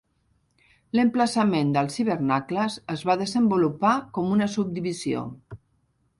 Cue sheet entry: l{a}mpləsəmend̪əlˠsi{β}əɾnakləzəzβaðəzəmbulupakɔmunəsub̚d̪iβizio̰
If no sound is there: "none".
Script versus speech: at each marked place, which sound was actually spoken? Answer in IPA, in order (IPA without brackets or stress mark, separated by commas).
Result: ə, β